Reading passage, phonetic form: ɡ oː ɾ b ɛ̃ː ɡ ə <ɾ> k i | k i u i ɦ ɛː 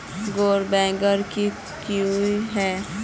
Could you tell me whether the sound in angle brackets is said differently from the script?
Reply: no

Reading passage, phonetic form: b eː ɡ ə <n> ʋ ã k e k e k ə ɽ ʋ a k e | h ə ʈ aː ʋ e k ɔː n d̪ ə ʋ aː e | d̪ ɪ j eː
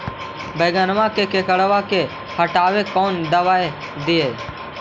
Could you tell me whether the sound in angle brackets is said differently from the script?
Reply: no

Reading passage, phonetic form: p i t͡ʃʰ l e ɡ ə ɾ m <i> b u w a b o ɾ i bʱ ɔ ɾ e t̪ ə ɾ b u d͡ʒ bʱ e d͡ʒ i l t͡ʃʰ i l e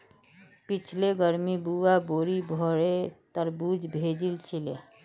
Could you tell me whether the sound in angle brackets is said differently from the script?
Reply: no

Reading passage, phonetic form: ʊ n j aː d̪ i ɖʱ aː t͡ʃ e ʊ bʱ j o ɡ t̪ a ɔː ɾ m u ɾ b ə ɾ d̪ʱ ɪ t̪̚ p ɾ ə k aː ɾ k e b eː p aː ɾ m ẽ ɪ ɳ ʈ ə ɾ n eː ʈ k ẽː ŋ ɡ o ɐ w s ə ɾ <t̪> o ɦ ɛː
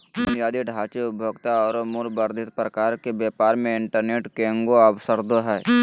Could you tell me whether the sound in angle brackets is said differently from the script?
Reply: yes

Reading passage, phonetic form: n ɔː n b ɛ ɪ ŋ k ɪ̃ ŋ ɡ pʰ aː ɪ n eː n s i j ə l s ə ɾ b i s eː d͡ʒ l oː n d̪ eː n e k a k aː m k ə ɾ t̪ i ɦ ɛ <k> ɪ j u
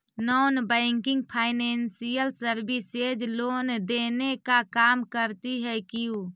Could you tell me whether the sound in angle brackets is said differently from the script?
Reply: no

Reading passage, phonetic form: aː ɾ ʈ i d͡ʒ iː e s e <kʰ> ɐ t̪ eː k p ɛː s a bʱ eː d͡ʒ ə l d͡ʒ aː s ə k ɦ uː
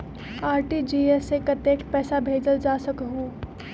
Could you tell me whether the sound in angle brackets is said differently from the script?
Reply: yes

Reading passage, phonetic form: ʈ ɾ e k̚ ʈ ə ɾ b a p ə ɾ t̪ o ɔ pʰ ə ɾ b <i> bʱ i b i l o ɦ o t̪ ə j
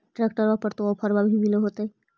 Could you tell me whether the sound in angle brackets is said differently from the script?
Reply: yes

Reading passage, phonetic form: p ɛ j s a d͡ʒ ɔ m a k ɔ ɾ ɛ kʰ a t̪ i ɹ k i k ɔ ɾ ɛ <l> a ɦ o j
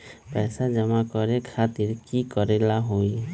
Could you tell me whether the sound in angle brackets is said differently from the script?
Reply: no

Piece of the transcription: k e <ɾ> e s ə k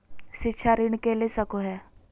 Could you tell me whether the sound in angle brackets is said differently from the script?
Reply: yes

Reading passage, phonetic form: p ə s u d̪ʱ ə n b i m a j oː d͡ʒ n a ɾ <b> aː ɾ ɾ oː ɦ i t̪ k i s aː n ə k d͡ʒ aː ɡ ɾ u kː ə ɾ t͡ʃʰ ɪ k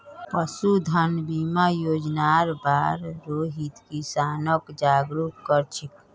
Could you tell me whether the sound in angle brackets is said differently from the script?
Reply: no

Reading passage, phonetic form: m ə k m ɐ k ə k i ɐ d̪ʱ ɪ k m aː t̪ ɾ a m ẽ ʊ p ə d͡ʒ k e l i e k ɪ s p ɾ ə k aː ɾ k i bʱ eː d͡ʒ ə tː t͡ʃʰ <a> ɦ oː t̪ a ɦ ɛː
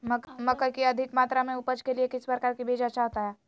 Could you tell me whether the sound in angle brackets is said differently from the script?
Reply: no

